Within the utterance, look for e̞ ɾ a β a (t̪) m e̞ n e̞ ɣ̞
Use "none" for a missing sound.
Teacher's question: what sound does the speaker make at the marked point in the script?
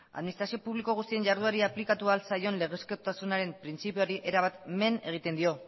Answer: t̪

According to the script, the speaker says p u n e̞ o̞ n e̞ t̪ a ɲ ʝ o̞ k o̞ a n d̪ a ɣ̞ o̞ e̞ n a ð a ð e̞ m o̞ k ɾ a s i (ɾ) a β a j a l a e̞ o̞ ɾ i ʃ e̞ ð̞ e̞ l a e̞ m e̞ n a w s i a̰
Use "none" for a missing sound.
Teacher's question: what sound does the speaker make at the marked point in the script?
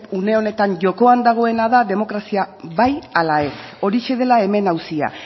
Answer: none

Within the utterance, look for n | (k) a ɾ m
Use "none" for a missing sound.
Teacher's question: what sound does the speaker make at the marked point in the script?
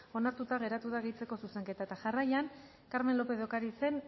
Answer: k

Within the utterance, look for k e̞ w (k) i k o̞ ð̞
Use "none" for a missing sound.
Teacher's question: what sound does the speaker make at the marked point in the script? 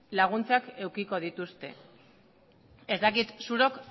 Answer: k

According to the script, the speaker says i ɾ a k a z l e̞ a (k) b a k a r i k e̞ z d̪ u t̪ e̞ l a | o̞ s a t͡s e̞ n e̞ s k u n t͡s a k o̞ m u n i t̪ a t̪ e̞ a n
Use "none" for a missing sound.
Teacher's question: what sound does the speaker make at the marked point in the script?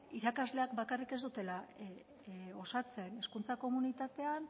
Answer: k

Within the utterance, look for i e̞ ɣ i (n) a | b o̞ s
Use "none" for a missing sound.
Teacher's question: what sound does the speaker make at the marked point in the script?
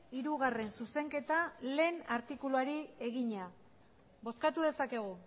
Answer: ɲ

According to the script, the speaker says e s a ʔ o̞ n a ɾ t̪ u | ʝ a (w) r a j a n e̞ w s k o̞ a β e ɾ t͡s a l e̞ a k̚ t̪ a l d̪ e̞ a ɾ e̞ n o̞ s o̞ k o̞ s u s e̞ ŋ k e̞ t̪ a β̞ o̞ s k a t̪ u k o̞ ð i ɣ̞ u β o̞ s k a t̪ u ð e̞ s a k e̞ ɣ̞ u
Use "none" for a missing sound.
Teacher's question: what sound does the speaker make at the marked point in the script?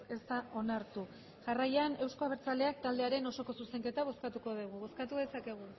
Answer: none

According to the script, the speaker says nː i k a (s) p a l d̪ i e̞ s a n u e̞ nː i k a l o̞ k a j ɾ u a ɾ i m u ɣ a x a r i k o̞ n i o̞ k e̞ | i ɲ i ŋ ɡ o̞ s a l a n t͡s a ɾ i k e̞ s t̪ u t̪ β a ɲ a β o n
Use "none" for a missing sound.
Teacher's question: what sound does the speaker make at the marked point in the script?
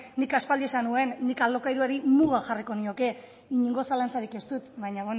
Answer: s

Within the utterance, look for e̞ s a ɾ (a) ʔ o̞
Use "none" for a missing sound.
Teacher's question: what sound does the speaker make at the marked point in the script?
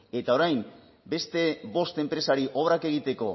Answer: i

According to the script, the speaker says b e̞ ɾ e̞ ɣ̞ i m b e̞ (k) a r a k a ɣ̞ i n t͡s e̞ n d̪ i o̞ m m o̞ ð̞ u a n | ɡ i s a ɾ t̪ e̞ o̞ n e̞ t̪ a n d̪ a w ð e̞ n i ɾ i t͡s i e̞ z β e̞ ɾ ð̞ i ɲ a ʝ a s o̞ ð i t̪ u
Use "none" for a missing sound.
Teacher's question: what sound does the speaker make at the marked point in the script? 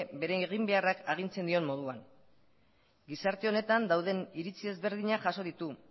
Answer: none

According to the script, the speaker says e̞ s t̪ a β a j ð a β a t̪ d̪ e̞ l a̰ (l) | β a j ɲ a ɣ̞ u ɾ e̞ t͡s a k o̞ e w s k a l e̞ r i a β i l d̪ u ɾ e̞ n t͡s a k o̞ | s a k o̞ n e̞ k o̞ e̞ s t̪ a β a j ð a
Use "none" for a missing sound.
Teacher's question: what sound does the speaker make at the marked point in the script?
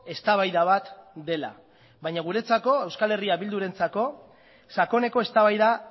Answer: none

